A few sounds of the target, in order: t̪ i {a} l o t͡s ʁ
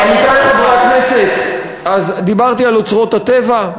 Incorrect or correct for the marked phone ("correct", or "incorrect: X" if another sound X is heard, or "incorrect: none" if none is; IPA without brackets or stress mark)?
correct